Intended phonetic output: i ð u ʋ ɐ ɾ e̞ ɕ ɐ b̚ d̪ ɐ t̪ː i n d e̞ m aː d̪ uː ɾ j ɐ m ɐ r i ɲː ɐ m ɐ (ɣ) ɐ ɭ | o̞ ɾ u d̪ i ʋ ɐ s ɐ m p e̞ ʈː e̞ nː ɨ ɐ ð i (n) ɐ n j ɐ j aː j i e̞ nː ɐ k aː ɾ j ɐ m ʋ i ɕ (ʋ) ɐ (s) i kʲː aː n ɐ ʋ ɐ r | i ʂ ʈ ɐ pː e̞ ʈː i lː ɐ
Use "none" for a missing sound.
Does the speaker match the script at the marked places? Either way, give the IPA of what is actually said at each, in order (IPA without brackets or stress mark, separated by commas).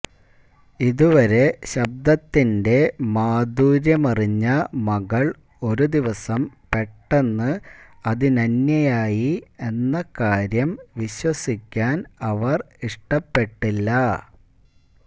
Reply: ɣ, n, w, s